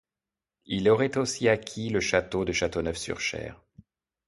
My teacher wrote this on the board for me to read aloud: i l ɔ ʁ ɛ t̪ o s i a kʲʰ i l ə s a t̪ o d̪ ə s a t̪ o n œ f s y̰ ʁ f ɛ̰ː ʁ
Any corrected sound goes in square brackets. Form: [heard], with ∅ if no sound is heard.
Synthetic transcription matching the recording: i l ɔ ʁ ɛ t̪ o s i a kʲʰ i l ə [ʃ] a t̪ o d̪ ə [ʃ] a t̪ o n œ f s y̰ ʁ [ʃ] ɛ̰ː ʁ